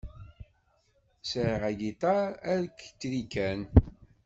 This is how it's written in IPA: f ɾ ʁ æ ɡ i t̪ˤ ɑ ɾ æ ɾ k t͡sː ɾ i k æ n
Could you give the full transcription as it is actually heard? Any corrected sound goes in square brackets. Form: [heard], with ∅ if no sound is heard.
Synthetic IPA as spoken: [s] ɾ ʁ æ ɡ i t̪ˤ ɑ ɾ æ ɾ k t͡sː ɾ i k æ n